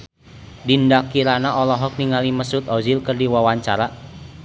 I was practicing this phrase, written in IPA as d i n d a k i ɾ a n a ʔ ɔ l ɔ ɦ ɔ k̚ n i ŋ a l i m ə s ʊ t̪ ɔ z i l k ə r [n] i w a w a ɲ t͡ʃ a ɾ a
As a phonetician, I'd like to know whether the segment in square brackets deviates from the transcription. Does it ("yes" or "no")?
yes